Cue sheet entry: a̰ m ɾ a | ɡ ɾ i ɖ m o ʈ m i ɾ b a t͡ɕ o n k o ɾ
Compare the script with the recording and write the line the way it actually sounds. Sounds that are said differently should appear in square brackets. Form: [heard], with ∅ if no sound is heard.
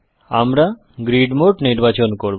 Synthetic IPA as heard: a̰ m ɾ a | ɡ ɾ i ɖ m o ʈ [n] i ɾ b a t͡ɕ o n k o ɾ